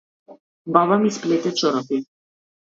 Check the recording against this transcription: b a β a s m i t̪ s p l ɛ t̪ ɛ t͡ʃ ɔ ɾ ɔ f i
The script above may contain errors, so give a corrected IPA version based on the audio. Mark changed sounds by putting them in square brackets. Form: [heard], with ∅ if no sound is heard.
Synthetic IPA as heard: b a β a [∅] m i [∅] s p l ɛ t̪ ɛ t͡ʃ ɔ ɾ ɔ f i